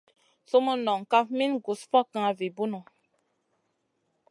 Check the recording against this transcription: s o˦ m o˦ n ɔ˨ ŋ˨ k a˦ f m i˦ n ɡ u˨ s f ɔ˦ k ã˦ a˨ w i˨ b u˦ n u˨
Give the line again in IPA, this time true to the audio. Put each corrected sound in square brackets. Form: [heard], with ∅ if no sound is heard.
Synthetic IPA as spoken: s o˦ m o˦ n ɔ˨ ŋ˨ k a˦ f m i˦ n ɡ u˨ s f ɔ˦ k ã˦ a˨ [v] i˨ b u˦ n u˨